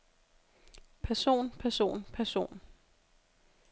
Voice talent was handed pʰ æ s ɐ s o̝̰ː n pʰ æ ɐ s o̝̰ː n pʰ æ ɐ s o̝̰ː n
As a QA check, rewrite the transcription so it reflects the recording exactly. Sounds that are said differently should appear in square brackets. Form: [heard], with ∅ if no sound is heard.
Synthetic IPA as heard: pʰ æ [∅] ɐ s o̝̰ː n pʰ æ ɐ s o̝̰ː n pʰ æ ɐ s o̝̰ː n